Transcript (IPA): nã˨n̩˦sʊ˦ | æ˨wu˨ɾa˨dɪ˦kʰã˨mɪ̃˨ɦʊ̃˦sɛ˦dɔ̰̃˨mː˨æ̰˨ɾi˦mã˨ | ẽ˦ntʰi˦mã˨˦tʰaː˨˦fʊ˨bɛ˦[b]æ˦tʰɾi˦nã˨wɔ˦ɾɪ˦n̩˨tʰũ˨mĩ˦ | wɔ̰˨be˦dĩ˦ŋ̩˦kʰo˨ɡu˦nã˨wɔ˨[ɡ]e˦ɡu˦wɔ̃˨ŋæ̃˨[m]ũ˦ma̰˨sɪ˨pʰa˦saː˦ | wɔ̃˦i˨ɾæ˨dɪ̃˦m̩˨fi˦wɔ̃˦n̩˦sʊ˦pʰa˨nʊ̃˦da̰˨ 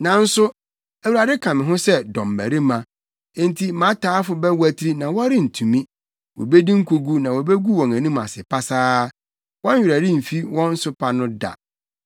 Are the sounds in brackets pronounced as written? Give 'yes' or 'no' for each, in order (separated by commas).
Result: no, no, no